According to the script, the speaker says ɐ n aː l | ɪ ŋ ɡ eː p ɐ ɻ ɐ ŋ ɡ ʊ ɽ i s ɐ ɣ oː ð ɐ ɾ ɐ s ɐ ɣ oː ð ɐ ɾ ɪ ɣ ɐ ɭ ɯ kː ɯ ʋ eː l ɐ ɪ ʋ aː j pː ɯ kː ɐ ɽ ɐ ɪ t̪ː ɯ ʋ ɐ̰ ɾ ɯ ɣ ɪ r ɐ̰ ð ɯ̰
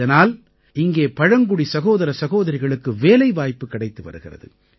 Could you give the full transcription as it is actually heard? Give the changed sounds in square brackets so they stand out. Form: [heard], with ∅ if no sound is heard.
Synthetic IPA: ɐ n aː l | ɪ ŋ ɡ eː p ɐ ɻ ɐ ŋ ɡ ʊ ɽ i s ɐ ɣ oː ð ɐ ɾ ɐ s ɐ ɣ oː ð ɐ ɾ ɪ ɣ ɐ ɭ ɯ kː ɯ ʋ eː l ɐ ɪ ʋ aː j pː ɯ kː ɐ ɽ ɐ ɪ t̪ː ɯ ʋ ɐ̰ ɾ ɯ ɣ ɪ r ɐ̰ ð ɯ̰